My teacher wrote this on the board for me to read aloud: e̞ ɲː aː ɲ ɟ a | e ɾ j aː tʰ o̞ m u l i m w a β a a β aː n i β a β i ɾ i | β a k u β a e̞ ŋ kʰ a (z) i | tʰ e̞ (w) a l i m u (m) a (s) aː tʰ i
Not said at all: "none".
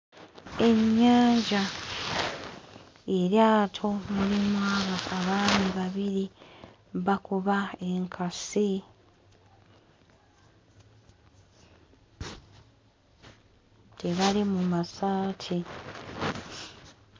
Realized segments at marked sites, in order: s, β, m, s

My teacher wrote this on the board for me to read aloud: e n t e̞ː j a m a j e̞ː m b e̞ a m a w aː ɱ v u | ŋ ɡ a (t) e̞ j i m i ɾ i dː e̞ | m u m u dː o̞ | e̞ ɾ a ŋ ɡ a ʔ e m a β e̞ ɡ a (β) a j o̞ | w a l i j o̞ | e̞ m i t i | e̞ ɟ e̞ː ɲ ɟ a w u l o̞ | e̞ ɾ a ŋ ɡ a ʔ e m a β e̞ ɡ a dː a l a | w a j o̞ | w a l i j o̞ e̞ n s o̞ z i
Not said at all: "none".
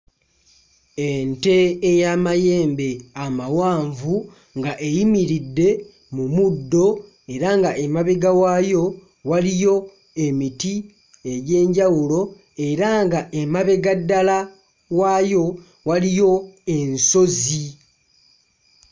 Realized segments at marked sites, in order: ʔ, w

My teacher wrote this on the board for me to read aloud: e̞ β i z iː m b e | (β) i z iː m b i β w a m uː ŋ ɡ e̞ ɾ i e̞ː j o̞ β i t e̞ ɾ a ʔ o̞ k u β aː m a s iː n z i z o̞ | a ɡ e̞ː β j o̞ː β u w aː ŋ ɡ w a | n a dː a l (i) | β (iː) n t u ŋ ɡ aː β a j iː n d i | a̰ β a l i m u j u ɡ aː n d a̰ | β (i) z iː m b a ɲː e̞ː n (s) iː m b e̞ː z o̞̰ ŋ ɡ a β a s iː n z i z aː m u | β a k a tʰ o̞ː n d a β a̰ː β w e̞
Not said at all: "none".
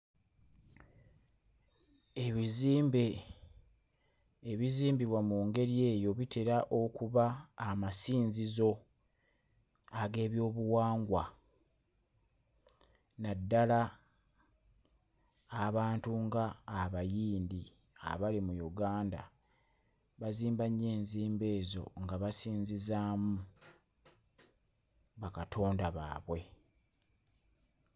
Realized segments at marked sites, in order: β, a, aː, a, z

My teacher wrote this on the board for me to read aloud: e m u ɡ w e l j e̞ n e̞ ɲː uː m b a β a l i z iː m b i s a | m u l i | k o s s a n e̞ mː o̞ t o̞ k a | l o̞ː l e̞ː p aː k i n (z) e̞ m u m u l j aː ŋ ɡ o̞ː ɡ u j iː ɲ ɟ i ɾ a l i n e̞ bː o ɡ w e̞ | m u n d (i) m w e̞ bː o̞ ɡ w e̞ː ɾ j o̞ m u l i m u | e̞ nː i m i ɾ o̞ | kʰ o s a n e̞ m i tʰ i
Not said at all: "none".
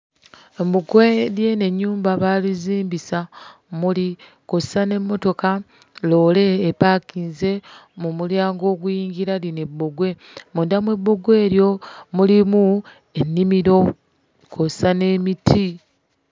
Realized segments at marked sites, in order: z, a

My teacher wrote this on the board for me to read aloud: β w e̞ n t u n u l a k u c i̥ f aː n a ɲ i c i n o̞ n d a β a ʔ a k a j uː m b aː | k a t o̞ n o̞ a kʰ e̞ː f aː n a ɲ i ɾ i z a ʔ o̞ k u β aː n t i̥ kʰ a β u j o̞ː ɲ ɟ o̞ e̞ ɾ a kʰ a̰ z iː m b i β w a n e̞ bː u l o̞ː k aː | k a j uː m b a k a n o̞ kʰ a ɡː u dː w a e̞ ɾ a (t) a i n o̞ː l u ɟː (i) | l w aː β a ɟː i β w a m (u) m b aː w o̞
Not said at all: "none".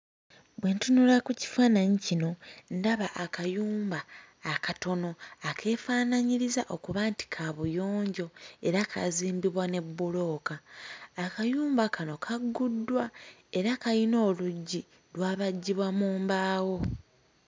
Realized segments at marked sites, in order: k, i, uː

